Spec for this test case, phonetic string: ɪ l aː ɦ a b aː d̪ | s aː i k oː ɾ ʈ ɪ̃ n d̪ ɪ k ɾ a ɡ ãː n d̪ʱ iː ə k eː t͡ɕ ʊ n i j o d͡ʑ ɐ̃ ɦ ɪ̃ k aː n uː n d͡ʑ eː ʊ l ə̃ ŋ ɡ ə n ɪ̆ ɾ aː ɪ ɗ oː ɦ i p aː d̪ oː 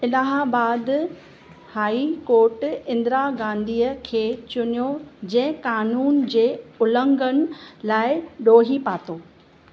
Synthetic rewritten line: ɪ l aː ɦ a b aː d̪ | h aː i k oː ɾ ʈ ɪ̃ n d̪ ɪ ɾ a ɡ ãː n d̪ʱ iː ə kʰ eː t͡ɕ ʊ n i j o d͡ʑ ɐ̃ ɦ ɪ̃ k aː n uː n d͡ʑ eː ʊ l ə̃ ŋ ɡ ə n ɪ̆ l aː ɪ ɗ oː ɦ i p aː t̪ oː